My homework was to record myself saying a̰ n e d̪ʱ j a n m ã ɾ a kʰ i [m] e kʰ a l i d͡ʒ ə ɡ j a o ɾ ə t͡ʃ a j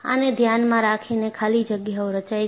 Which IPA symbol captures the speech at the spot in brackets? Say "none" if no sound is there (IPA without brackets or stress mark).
n